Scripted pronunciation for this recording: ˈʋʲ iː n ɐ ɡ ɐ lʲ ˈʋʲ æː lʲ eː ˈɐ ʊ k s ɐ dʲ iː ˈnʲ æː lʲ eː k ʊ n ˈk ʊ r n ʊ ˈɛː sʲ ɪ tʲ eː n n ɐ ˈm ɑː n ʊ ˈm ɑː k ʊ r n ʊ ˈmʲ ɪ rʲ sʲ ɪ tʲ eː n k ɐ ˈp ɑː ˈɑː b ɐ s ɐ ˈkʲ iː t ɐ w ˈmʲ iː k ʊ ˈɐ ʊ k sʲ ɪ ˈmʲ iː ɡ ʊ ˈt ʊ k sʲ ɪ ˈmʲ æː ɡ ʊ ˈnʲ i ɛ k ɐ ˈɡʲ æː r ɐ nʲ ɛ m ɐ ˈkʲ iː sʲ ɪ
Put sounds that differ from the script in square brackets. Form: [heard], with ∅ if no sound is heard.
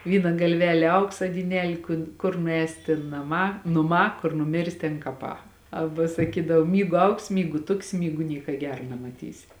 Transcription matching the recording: ˈʋʲ iː n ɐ ɡ ɐ lʲ ˈʋʲ æː lʲ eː ˈɐ ʊ k s ɐ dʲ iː ˈnʲ æː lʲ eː k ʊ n ˈk ʊ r n ʊ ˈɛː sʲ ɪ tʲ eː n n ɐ ˈm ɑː n ʊ ˈm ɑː k ʊ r n ʊ ˈmʲ ɪ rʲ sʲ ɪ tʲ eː n k ɐ ˈp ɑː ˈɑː b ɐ s ɐ ˈkʲ iː [d] ɐ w ˈmʲ iː [ɡ] ʊ ˈɐ ʊ k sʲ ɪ ˈmʲ iː ɡ ʊ ˈt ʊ k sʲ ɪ ˈmʲ [iː] ɡ ʊ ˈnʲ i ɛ k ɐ ˈɡʲ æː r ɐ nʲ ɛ m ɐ [ˈtʲ] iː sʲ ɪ